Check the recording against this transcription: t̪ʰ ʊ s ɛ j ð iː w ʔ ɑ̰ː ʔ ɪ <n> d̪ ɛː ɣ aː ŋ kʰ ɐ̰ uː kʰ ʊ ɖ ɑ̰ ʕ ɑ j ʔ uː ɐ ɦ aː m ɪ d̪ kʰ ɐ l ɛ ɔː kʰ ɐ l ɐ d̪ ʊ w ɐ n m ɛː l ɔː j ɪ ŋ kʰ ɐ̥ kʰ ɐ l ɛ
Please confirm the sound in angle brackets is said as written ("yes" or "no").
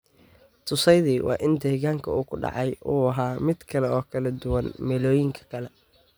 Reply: yes